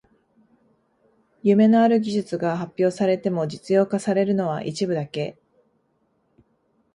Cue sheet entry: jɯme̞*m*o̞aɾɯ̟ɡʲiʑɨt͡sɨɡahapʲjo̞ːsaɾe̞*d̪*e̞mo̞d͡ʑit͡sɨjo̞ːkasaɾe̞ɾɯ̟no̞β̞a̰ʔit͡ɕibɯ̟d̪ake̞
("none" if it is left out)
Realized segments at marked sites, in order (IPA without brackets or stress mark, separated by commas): n, t̪